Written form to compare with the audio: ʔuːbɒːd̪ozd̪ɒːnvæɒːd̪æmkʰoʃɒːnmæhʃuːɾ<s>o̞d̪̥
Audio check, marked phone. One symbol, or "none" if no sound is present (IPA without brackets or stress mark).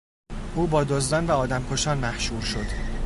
ʃ